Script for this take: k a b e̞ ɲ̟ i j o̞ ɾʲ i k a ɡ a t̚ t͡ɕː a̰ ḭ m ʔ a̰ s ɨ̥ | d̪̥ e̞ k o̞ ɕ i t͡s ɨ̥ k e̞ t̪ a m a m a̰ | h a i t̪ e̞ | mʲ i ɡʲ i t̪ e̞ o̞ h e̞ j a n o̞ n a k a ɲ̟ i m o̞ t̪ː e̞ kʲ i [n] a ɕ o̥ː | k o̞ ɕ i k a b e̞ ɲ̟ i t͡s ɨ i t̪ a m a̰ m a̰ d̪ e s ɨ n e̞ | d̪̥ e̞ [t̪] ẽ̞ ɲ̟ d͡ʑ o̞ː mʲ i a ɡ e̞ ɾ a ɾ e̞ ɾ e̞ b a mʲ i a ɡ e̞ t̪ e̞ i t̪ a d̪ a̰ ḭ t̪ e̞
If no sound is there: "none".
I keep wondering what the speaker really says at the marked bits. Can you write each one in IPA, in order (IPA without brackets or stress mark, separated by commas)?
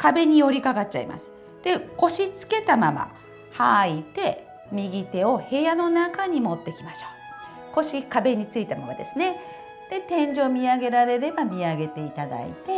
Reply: m, t̪